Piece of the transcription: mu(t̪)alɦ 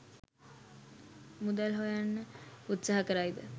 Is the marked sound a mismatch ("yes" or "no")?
yes